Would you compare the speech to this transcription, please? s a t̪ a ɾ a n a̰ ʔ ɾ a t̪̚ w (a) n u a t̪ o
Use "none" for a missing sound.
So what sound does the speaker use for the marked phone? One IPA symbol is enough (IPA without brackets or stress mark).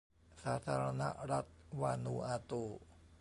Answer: a